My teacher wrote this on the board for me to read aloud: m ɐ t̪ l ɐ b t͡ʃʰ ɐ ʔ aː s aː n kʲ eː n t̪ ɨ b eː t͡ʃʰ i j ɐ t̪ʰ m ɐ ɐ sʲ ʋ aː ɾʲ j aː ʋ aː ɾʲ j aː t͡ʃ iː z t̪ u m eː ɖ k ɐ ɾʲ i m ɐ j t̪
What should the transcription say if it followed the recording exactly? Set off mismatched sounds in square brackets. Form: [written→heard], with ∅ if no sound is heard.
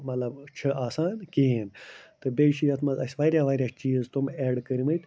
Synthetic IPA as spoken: m ɐ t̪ l ɐ b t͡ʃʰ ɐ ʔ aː s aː n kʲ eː n t̪ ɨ b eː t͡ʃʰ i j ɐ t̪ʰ m ɐ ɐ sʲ ʋ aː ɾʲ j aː ʋ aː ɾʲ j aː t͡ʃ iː z t̪ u m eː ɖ k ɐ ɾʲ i m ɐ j t̪